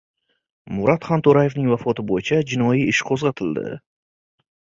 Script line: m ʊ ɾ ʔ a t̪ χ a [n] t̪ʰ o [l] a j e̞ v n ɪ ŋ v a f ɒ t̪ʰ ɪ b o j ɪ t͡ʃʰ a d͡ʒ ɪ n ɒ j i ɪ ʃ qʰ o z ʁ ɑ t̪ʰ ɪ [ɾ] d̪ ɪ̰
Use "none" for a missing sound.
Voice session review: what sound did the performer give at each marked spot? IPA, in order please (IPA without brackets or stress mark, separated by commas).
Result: n, ɾ, l